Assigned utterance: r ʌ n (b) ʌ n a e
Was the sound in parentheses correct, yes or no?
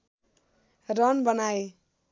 yes